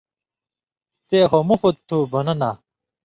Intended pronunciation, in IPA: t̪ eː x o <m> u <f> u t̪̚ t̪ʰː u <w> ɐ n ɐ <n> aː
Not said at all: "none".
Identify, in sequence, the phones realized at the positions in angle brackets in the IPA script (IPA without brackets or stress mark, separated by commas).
m, f, b, n